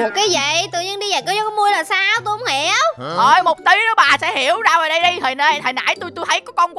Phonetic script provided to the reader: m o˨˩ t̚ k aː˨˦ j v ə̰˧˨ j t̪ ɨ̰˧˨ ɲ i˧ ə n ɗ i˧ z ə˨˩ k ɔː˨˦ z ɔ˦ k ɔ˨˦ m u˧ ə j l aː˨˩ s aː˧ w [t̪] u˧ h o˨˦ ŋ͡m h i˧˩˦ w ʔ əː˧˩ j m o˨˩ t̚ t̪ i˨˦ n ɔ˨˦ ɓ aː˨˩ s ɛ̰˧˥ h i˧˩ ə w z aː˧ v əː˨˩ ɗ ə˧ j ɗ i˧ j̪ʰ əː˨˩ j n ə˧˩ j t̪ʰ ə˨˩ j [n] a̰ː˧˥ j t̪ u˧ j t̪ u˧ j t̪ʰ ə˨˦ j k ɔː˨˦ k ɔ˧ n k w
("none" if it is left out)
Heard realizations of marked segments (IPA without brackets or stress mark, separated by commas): t̪, n